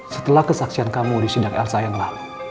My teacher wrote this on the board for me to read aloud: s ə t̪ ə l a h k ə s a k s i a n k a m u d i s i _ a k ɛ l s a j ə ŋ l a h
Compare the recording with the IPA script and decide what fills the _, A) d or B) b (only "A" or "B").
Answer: A